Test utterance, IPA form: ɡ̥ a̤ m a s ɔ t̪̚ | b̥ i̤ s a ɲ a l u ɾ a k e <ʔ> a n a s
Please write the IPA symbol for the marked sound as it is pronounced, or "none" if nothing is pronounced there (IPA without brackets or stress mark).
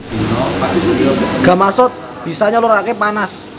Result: p